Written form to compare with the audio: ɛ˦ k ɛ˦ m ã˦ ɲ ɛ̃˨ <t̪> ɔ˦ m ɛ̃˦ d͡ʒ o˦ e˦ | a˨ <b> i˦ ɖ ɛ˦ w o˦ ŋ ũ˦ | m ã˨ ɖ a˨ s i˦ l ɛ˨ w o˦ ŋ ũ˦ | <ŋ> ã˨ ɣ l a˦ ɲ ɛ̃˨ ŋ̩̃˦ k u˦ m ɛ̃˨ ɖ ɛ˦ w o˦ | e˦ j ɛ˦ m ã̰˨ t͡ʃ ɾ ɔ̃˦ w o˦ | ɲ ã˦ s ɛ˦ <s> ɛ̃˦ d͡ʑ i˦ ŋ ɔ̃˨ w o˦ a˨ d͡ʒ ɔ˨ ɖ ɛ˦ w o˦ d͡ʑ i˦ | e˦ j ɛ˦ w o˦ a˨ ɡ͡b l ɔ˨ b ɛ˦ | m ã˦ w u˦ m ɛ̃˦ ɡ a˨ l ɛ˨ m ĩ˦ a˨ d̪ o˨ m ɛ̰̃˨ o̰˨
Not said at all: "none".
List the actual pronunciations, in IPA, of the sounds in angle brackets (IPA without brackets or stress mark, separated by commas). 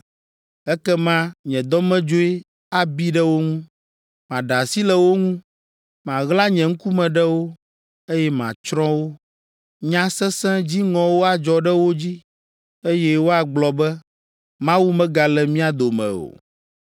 d̪, b, m, s